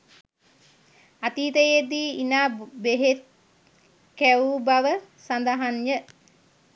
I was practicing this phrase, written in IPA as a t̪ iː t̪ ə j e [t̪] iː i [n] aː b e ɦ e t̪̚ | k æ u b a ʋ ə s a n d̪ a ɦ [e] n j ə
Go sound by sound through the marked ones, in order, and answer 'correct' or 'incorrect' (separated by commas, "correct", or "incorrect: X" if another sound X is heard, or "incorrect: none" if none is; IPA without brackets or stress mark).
incorrect: d̪, correct, incorrect: a